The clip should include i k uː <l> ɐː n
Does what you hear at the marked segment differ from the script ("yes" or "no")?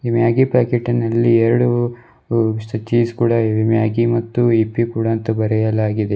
yes